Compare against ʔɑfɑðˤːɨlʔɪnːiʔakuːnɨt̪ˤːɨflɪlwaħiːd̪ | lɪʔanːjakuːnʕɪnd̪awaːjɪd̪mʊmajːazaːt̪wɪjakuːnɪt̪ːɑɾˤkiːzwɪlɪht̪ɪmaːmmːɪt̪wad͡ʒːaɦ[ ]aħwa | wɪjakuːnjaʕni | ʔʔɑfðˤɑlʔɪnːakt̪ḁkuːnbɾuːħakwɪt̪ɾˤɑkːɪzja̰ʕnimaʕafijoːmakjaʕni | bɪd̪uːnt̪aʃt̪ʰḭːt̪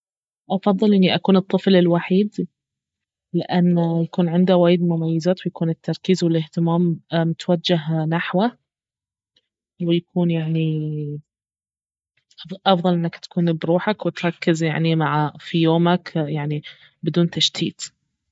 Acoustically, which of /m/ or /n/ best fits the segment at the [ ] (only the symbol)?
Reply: n